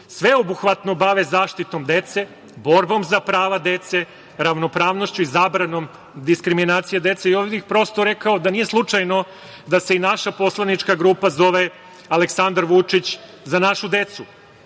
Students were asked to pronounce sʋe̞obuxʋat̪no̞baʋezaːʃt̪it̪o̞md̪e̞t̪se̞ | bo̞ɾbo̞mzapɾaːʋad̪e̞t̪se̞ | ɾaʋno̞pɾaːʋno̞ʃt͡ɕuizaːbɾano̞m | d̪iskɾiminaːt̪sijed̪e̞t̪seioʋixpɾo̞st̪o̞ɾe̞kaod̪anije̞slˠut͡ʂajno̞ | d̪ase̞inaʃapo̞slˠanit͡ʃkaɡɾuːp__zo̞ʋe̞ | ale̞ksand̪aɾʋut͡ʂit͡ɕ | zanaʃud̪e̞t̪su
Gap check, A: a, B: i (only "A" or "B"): A